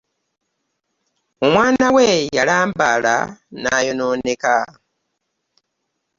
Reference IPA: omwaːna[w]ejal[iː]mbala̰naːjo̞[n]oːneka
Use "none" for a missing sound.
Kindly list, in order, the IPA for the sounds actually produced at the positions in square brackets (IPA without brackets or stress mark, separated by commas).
w, aː, n